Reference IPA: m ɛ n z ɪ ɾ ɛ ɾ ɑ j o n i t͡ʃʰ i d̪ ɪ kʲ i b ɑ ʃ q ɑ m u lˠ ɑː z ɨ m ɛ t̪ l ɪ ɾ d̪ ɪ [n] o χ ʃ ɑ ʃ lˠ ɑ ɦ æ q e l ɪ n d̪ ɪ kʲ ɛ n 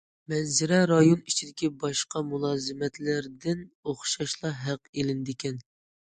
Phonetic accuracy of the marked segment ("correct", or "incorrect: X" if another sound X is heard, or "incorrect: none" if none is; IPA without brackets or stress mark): correct